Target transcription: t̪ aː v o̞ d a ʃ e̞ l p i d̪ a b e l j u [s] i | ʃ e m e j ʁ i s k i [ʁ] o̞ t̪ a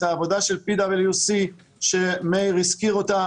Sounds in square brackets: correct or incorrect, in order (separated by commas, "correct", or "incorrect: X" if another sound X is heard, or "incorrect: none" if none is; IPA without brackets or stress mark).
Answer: correct, correct